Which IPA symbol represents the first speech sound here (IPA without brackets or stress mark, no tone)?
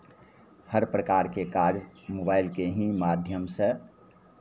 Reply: h